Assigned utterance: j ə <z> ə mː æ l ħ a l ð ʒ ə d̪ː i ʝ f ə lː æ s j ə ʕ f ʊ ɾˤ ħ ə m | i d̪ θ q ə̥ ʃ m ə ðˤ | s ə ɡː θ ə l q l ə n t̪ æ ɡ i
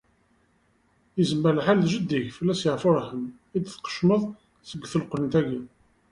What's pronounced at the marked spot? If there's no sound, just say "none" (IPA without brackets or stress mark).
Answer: z